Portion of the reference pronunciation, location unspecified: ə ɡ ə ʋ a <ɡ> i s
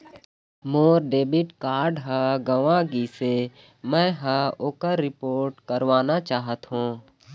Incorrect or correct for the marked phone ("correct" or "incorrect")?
correct